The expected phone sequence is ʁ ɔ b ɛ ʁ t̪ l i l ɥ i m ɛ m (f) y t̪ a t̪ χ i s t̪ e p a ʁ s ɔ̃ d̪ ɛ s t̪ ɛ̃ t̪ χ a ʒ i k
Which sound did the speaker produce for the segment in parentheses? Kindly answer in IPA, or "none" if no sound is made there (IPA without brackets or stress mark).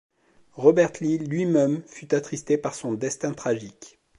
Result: f